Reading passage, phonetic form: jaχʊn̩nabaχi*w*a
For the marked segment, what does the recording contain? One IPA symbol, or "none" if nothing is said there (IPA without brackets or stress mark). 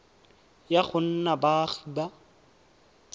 b